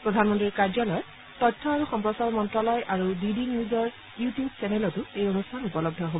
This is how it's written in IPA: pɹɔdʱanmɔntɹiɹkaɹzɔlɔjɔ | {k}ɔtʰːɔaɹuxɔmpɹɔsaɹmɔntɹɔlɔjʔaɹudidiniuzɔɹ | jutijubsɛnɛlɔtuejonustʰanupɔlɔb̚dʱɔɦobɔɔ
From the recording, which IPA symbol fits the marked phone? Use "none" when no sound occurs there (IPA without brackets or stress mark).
t